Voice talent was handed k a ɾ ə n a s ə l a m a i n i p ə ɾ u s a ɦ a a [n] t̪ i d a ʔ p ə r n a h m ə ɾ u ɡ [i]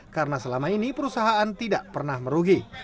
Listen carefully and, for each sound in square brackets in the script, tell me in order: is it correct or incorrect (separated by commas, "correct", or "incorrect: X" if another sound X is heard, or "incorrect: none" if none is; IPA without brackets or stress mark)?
correct, correct